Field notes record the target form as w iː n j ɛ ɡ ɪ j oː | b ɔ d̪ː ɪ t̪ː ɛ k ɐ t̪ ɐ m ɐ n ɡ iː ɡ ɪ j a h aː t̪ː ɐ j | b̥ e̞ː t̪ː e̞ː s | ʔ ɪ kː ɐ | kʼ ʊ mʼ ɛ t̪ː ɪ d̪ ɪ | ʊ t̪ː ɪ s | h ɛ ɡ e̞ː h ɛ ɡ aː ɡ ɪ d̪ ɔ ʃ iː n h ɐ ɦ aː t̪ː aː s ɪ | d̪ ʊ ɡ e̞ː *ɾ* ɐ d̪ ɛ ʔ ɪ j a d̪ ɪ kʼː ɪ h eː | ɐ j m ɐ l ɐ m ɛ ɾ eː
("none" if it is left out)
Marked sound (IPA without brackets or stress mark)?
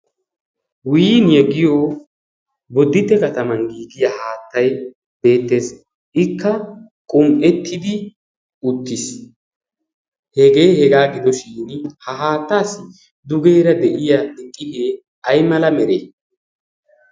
ɾ